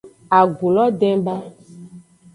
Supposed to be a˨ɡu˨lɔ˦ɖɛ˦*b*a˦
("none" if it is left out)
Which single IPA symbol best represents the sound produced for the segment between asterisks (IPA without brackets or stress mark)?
b